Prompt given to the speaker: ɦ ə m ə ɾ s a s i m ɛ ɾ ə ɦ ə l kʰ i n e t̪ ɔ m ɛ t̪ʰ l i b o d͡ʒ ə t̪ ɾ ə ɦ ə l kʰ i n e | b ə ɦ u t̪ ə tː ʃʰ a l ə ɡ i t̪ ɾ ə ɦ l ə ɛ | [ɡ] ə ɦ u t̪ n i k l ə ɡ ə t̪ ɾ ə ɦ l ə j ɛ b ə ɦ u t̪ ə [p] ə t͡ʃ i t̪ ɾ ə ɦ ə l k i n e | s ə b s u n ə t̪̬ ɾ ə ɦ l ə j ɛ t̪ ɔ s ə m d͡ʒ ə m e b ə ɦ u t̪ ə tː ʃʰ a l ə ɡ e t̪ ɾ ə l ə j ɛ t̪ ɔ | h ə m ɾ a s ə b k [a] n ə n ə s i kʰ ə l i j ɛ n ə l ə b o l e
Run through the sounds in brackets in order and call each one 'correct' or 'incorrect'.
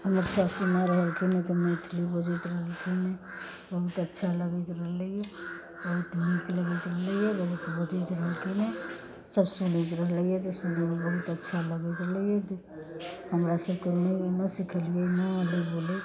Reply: incorrect: b, incorrect: b, incorrect: e

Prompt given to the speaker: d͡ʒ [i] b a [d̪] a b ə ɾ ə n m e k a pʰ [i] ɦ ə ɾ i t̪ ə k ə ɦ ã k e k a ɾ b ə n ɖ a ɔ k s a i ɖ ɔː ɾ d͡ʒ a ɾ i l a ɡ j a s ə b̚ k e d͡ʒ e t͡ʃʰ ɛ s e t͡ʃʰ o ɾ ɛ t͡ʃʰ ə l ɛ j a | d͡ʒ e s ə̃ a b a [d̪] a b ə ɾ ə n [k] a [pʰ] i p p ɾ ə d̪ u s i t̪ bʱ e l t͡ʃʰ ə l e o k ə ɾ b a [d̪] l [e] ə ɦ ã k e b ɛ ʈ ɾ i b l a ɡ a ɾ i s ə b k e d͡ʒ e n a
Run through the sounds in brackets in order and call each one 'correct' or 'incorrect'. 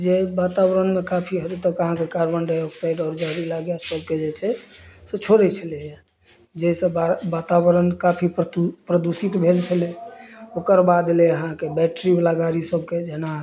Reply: incorrect: e, incorrect: t̪, correct, incorrect: t̪, correct, correct, correct, correct

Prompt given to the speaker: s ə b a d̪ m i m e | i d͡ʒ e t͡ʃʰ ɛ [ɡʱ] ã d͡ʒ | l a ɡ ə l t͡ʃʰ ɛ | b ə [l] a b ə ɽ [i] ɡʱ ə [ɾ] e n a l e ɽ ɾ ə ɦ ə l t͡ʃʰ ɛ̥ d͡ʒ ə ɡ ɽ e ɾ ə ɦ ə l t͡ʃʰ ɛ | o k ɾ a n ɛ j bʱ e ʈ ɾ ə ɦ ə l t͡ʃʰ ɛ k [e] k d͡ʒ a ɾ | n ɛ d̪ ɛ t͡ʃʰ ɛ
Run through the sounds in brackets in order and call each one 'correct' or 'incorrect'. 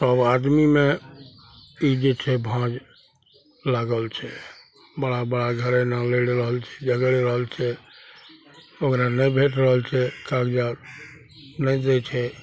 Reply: incorrect: bʱ, incorrect: ɽ, incorrect: a, correct, incorrect: a

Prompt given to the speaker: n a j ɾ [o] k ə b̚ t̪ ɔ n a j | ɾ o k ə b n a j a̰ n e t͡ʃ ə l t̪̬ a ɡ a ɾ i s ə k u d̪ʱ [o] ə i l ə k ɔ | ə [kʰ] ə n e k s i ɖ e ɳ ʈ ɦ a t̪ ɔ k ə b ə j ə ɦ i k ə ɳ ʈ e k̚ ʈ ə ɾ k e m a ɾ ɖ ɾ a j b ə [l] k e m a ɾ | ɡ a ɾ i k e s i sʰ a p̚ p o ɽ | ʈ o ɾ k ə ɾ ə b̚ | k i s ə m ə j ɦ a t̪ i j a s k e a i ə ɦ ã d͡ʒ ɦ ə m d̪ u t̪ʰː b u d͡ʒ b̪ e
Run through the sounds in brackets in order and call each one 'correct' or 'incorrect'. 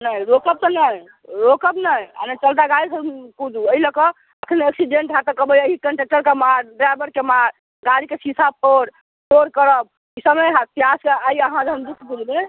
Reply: correct, incorrect: u, correct, incorrect: ɾ

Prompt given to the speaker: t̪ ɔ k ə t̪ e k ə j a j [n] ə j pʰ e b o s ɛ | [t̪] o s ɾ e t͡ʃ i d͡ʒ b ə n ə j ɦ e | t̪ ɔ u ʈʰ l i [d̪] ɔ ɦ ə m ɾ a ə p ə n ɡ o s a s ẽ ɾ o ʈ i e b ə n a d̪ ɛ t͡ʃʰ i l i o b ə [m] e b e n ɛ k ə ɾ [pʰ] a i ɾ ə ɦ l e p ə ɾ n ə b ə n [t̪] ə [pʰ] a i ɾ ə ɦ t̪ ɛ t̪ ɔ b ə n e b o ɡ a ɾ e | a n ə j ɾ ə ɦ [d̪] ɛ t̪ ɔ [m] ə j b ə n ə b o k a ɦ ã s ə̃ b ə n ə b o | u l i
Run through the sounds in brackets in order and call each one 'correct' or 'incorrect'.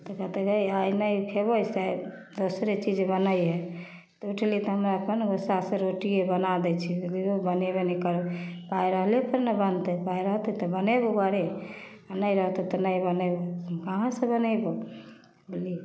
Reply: correct, incorrect: d̪, incorrect: t̪, incorrect: n, incorrect: p, correct, incorrect: p, incorrect: t̪, incorrect: n

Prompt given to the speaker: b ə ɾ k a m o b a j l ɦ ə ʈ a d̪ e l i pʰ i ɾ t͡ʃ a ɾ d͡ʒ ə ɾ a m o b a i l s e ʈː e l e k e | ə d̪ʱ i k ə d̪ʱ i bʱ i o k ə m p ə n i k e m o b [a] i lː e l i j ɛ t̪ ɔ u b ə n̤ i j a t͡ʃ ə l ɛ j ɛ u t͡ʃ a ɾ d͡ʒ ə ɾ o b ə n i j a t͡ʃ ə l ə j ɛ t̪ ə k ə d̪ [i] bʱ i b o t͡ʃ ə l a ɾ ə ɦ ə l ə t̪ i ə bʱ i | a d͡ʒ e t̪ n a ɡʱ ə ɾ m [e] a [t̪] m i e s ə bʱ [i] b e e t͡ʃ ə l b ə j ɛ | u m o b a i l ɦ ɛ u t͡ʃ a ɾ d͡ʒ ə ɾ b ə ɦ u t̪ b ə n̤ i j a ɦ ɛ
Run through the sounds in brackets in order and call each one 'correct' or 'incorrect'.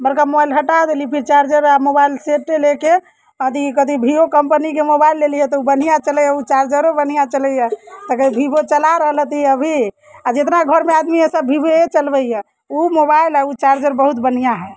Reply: correct, correct, correct, incorrect: d̪, correct

